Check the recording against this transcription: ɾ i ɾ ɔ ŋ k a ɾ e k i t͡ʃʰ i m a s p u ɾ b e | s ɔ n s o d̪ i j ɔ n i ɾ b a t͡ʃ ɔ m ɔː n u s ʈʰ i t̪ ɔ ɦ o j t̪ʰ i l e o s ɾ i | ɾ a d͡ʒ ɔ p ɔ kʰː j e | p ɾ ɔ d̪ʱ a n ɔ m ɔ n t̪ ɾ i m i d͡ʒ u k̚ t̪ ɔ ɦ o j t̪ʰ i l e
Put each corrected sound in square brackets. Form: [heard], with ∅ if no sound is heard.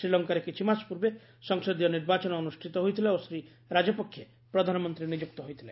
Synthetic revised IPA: ɾ i [l] ɔ ŋ k a ɾ e k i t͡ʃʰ i m a s p u ɾ b e | s ɔ [ŋ] s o d̪ i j ɔ n i ɾ b a t͡ʃ ɔ [n] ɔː n u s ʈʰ i t̪ ɔ ɦ o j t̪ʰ i l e o s ɾ i | ɾ a d͡ʒ ɔ p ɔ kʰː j e | p ɾ ɔ d̪ʱ a n ɔ m ɔ n t̪ ɾ i [n] i d͡ʒ u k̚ t̪ ɔ ɦ o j t̪ʰ i l e

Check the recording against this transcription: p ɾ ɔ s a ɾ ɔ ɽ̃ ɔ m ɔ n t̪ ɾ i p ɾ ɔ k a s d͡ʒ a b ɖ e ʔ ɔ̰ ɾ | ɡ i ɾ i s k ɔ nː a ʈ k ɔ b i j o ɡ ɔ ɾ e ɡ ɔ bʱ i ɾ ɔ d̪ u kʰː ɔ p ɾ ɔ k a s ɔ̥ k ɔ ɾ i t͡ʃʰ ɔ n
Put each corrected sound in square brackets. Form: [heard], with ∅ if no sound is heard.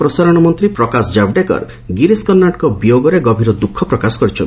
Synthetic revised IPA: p ɾ ɔ s a ɾ ɔ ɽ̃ ɔ m ɔ n t̪ ɾ i p ɾ ɔ k a s d͡ʒ a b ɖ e [k] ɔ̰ ɾ | ɡ i ɾ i s k ɔ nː a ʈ k ɔ b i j o ɡ ɔ ɾ e ɡ ɔ bʱ i ɾ ɔ d̪ u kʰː ɔ p ɾ ɔ k a s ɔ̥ k ɔ ɾ i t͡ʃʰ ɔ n

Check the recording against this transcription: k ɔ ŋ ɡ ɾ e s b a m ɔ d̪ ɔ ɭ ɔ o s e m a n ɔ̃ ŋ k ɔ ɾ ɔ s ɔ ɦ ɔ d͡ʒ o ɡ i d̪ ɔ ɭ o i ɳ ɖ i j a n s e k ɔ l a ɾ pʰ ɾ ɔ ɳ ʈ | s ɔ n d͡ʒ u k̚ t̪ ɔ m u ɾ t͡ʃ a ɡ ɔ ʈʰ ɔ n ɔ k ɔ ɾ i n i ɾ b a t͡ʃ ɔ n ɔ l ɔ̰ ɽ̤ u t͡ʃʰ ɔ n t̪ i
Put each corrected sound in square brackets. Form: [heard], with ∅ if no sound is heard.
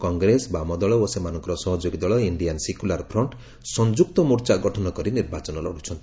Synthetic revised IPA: k ɔ ŋ ɡ ɾ e s b a m ɔ d̪ ɔ ɭ ɔ o s e m a n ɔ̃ ŋ k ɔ ɾ ɔ s ɔ ɦ ɔ d͡ʒ o ɡ i d̪ ɔ ɭ [ɔ] i ɳ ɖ i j a n s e k [u] l a ɾ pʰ ɾ ɔ ɳ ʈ | s ɔ n d͡ʒ u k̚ t̪ ɔ m u ɾ t͡ʃ a ɡ ɔ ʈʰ ɔ n ɔ k ɔ ɾ i n i ɾ b a t͡ʃ ɔ n ɔ l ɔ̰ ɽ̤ u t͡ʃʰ ɔ n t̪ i

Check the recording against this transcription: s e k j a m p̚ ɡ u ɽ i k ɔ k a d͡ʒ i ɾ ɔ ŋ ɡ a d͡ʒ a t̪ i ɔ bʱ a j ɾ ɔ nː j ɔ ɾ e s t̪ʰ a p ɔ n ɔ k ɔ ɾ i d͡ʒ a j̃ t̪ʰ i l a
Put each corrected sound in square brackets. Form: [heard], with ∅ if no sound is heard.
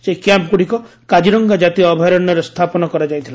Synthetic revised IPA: s e k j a m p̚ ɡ u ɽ i k ɔ k a d͡ʒ i ɾ ɔ ŋ ɡ a d͡ʒ a t̪ i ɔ bʱ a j ɾ ɔ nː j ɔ ɾ e s t̪ʰ a p ɔ n ɔ k ɔ ɾ [a] d͡ʒ a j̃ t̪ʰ i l a

